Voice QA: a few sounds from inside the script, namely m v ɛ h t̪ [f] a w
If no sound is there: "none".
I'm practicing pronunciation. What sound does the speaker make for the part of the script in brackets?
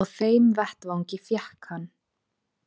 v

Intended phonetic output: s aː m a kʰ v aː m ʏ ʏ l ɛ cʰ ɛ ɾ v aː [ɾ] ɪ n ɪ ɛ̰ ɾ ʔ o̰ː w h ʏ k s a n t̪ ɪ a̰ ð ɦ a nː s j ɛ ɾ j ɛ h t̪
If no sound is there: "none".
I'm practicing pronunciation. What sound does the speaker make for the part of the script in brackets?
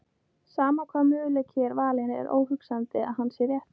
l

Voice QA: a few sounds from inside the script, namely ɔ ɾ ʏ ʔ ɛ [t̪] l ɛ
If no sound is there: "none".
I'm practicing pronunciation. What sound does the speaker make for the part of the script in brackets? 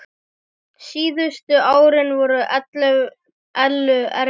t̪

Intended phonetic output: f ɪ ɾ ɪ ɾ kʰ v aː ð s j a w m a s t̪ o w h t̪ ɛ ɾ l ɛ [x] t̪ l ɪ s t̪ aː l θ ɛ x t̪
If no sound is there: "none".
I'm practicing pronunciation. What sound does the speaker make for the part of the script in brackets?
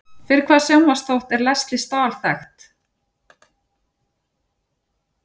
s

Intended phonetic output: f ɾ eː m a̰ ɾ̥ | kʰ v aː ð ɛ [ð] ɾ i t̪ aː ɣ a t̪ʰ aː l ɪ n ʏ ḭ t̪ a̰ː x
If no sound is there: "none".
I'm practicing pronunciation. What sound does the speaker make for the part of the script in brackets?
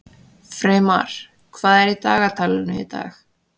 none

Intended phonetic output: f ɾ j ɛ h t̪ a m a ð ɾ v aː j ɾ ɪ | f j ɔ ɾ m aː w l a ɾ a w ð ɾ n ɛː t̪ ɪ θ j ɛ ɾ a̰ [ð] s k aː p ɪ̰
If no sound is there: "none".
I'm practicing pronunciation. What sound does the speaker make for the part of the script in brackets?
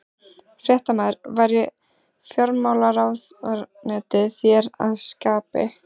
ð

